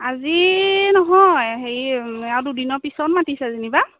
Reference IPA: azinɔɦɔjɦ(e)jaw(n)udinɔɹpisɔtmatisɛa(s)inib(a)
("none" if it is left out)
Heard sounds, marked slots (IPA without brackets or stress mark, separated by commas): e, d, z, a